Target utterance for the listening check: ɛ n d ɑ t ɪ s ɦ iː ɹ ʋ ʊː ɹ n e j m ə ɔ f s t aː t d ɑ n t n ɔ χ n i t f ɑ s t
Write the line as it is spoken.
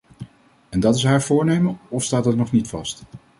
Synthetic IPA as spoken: ɛ n d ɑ t ɪ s ɦ aː ɹ v ʊː ɹ n e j m ə ɔ f s t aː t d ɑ t n ɔ χ n i t f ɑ s t